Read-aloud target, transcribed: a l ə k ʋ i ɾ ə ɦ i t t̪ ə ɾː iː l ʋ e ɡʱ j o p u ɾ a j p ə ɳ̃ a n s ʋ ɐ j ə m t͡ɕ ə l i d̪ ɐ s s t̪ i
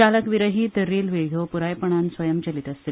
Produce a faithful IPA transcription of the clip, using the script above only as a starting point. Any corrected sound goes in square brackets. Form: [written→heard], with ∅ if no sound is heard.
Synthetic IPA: a l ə k ʋ i ɾ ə ɦ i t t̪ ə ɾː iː l ʋ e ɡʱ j o p u ɾ a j p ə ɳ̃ a n s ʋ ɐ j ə m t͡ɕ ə l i [d̪→t̪] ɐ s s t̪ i

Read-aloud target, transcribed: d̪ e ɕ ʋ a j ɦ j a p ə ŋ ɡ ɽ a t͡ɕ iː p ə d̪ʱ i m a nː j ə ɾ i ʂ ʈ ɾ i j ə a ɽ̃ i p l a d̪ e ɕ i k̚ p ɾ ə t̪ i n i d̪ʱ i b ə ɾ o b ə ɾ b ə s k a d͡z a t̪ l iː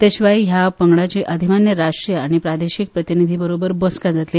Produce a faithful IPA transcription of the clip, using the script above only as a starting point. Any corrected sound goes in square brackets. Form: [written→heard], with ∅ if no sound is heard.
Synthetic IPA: [d̪→t̪] e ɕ ʋ a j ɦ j a p ə ŋ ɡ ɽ a t͡ɕ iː [p→ʔ] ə d̪ʱ i m a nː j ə ɾ [i→a] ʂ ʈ ɾ i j ə a ɽ̃ i p [l→ɾ] a d̪ e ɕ i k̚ p ɾ ə t̪ i n i d̪ʱ i b ə ɾ o b ə ɾ b ə s k a d͡z a t̪ l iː

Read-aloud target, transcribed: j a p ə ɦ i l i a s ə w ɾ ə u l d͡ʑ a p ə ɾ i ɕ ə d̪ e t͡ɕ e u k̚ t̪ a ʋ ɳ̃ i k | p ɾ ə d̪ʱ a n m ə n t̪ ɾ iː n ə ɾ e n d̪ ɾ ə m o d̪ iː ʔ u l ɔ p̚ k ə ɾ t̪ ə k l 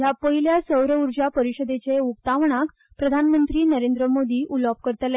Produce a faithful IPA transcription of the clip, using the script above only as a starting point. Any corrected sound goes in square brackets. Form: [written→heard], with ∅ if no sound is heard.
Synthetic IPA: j a p ə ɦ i l [i→j] a s ə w ɾ ə u [l→ɾ] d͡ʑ a p ə ɾ i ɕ ə d̪ e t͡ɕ e u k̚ t̪ a ʋ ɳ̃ [i→a] k | p ɾ ə d̪ʱ a n m ə n t̪ ɾ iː n ə ɾ e n d̪ ɾ ə m o d̪ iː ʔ u l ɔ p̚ k ə ɾ t̪ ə [k→∅] l

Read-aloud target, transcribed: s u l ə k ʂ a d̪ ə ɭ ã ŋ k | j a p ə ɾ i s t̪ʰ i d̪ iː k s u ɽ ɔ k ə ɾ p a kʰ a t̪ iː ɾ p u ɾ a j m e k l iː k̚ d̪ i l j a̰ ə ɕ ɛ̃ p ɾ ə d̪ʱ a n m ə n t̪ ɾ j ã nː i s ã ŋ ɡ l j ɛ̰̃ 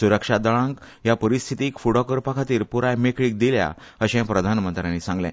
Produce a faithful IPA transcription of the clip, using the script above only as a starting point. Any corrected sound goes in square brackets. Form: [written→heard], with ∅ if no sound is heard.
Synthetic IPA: s u [l→ɾ] ə k ʂ a d̪ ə ɭ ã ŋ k | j a p ə ɾ i s t̪ʰ i [d̪→t̪] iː k [s→f] u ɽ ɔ k ə ɾ p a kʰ a t̪ iː ɾ p u ɾ a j m e k [l→ɭ] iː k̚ d̪ i l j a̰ ə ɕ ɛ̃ p ɾ ə d̪ʱ a n m ə n t̪ ɾ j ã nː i s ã ŋ ɡ l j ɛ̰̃

